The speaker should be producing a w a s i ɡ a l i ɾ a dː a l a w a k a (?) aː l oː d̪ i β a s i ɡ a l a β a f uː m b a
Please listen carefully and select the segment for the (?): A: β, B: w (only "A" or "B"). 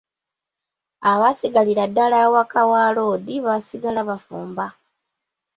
B